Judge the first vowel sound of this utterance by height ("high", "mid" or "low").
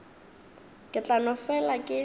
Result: high